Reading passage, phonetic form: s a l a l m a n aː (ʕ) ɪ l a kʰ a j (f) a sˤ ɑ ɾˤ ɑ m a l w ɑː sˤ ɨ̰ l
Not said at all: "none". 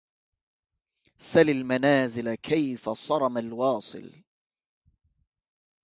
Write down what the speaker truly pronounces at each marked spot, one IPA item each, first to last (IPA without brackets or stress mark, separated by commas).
z, f